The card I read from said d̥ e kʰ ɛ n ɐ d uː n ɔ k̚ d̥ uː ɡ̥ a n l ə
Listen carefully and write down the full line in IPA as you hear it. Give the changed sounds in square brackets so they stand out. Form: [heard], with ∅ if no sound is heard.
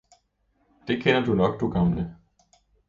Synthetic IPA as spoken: d̥ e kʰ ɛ n ɐ d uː n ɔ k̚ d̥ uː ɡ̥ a [m] l ə